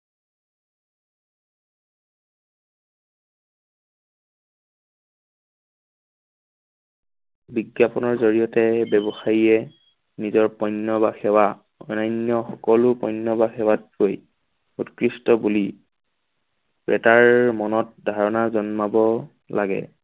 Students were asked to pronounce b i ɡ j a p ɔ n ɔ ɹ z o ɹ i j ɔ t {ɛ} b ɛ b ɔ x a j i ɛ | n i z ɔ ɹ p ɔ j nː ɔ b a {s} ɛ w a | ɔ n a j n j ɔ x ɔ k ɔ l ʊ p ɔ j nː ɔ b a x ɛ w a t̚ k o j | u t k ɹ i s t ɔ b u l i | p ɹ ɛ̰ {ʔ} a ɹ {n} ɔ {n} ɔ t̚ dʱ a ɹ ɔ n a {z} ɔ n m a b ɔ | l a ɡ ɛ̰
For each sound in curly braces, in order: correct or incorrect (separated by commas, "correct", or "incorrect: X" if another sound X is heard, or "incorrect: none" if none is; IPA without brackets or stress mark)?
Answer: correct, incorrect: x, incorrect: t, incorrect: m, correct, correct